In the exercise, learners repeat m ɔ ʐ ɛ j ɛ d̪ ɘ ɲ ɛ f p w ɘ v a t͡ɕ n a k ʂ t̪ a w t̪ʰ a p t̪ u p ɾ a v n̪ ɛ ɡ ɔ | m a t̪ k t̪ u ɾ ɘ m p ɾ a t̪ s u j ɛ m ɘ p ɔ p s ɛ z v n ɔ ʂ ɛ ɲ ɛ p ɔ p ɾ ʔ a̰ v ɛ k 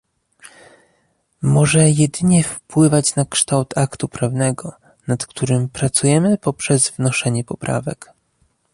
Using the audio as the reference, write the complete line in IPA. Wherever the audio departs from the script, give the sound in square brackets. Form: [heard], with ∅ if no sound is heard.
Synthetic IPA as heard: m ɔ ʐ ɛ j ɛ d̪ ɘ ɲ ɛ f p w ɘ v a t͡ɕ n a k ʂ t̪ a w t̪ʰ a [k] t̪ u p ɾ a v n̪ ɛ ɡ ɔ | [n] a t̪ k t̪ u ɾ ɘ m p ɾ a t̪ s u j ɛ m ɘ p ɔ p [ʂ] ɛ z v n ɔ ʂ ɛ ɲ ɛ p ɔ p ɾ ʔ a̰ v ɛ k